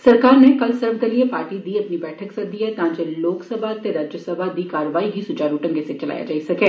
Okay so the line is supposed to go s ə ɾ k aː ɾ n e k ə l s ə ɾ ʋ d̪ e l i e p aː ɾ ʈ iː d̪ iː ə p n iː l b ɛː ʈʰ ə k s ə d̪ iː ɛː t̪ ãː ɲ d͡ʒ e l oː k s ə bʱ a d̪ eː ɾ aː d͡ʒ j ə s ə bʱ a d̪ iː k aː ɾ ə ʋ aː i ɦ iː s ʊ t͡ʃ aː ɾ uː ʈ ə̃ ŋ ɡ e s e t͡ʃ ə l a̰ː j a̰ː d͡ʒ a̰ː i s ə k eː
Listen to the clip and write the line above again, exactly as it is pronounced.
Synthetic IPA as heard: s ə ɾ k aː ɾ n e k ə l s ə ɾ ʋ d̪ e l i e p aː ɾ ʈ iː d̪ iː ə p n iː b ɛː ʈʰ ə k s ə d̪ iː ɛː t̪ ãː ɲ d͡ʒ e l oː k s ə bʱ a t̪ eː ɾ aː d͡ʒ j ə s ə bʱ a d̪ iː k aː ɾ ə ʋ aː i ɦ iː s ʊ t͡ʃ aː ɾ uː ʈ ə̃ ŋ ɡ e s e t͡ʃ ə l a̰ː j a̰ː d͡ʒ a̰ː i s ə k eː